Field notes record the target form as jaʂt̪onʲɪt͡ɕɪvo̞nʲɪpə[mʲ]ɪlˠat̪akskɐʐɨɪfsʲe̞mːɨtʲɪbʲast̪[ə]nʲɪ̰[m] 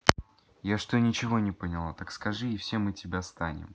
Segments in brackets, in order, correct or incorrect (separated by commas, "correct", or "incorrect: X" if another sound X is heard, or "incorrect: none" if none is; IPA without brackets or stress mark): incorrect: nʲ, incorrect: a, correct